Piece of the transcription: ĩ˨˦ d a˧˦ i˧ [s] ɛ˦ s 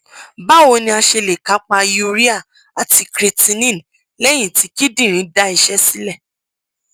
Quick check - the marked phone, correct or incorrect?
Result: incorrect